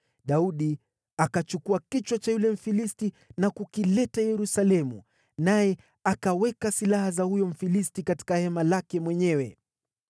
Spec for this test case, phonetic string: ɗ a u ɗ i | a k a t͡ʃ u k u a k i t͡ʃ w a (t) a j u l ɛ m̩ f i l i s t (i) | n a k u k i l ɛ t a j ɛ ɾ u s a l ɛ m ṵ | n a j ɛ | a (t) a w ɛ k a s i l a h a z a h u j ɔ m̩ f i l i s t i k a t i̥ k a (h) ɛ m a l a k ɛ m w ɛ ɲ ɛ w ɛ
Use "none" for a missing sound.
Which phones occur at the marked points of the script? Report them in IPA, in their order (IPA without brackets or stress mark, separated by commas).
t͡ʃ, i, k, h